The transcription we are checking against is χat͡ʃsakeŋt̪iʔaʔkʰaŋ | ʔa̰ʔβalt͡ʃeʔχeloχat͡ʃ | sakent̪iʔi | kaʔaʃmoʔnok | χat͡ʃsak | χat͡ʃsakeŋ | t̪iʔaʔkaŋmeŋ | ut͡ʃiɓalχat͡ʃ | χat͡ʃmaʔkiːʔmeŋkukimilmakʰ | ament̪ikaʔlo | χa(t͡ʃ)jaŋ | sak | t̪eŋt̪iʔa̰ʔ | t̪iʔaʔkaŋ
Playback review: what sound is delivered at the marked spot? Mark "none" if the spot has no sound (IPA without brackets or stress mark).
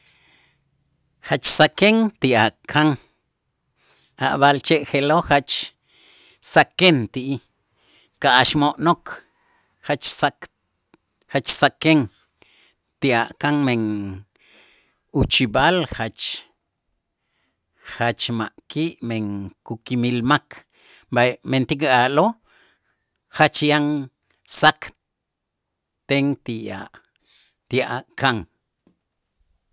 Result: t͡ʃ